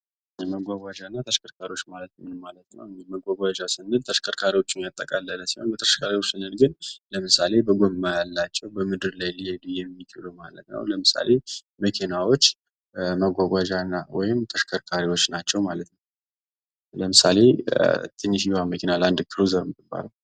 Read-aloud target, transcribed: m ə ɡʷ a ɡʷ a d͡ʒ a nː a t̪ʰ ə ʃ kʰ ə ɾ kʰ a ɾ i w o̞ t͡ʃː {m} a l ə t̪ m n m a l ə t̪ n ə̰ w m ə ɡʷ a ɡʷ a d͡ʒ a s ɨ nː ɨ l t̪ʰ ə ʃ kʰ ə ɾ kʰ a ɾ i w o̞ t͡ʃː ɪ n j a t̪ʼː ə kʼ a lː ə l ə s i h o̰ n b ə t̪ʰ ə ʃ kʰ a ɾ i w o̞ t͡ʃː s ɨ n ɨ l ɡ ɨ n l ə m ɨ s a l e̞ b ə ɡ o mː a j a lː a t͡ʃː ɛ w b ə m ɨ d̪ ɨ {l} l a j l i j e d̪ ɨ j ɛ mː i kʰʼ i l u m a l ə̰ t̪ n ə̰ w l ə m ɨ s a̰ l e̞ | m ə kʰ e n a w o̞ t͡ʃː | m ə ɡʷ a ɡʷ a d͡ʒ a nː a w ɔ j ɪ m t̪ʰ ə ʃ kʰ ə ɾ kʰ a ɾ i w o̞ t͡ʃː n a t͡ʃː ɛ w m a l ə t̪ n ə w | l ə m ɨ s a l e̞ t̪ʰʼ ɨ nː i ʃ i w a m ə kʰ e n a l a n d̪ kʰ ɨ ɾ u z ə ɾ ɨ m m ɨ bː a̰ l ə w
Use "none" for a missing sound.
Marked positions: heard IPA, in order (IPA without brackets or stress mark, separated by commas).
m, ɾ